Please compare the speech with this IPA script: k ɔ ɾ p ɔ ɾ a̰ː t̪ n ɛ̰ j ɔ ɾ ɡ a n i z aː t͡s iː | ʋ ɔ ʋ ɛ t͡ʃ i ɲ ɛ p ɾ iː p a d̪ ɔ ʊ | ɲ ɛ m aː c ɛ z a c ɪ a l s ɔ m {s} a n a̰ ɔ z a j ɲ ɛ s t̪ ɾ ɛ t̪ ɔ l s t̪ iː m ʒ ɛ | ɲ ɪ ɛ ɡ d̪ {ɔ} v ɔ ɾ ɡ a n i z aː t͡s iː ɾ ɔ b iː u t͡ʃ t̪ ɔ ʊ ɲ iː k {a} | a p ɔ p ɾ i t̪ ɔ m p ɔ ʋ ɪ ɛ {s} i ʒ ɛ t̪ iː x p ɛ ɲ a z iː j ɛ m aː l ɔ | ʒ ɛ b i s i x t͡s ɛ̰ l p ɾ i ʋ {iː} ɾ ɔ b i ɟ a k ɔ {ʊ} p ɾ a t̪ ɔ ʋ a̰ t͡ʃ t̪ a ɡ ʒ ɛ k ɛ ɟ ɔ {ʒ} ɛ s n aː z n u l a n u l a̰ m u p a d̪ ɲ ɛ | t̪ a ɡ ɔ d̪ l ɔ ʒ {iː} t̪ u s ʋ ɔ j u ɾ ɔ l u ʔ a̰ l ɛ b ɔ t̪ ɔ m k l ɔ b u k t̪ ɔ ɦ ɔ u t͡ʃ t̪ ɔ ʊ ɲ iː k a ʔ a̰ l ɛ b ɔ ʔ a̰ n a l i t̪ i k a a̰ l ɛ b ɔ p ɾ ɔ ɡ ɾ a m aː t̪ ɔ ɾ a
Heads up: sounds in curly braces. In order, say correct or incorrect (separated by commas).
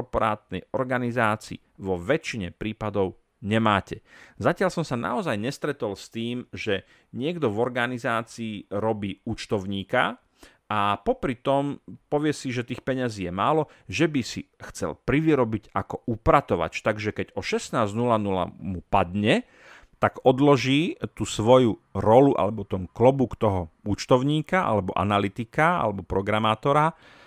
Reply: correct, correct, correct, correct, incorrect, incorrect, incorrect, correct